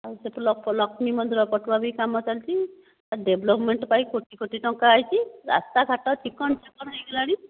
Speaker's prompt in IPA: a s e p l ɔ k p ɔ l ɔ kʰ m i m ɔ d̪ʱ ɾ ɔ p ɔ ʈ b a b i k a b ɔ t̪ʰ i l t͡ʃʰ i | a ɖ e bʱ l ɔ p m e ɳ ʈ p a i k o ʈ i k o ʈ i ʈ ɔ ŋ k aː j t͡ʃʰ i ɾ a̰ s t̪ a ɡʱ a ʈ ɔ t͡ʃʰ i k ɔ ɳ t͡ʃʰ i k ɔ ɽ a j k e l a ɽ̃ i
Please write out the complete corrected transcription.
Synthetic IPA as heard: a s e p l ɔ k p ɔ l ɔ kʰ m i m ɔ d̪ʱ ɾ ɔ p ɔ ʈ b a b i k a m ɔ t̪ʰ a l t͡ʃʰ i | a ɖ e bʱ l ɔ p m e ɳ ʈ p a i k o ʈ i k o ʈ i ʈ ɔ ŋ k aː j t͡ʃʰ i ɾ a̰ s t̪ a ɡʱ a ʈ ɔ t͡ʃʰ i k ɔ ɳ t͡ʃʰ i k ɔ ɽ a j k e l a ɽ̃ i